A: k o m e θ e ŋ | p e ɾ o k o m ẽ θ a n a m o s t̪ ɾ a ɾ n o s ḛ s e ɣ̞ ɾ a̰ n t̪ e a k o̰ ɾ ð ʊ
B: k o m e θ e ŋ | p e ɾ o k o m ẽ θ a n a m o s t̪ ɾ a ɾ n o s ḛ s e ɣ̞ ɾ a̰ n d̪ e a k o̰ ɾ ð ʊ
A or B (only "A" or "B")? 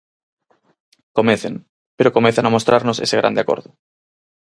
B